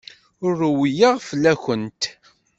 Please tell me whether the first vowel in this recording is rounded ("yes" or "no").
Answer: yes